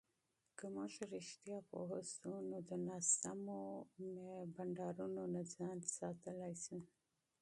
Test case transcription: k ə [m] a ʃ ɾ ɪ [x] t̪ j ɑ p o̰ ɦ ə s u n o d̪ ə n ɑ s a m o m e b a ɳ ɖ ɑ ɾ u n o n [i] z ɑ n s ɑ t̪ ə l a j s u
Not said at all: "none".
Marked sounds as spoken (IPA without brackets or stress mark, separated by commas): m, ʃ, a